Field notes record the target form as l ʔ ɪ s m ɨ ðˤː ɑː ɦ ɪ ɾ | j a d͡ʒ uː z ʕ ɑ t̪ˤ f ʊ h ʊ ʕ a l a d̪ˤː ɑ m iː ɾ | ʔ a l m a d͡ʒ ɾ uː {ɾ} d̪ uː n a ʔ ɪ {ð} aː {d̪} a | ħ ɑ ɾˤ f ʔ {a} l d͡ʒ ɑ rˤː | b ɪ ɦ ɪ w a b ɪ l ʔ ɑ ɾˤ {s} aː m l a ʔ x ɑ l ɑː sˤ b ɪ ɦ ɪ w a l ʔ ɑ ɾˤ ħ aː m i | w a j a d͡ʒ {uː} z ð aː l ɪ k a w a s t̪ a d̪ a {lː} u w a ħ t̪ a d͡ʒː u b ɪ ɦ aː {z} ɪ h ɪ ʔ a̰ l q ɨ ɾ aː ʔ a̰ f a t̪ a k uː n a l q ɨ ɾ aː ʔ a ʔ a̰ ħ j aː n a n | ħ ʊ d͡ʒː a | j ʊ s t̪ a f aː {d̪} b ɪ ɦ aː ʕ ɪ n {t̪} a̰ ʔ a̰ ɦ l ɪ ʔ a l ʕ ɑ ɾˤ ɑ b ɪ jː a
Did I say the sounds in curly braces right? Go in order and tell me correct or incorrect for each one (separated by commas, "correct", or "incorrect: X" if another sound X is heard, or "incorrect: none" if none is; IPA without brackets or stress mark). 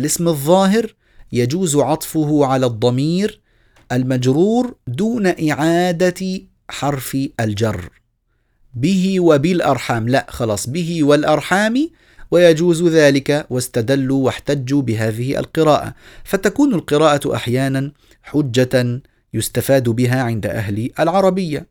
correct, incorrect: ʕ, correct, correct, incorrect: ħ, correct, correct, incorrect: ð, correct, incorrect: d̪